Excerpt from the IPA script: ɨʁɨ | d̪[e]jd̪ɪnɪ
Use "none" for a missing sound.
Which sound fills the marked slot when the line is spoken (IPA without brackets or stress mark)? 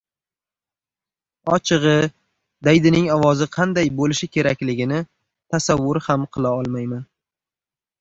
a